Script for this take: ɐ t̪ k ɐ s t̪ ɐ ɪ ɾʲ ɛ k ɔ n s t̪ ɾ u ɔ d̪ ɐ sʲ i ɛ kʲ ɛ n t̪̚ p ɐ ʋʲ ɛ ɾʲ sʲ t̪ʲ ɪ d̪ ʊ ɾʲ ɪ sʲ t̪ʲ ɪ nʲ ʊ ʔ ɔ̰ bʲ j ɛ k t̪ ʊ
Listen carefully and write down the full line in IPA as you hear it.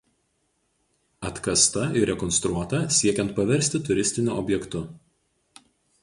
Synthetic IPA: ɐ t̪ k ɐ s t̪ ɐ ɪ ɾʲ ɛ k ɔ n s t̪ ɾ u ɔ t̪ ɐ sʲ i ɛ kʲ ɛ n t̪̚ p ɐ ʋʲ ɛ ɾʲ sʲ t̪ʲ ɪ t̪ ʊ ɾʲ ɪ sʲ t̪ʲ ɪ nʲ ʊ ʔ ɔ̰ bʲ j ɛ k t̪ ʊ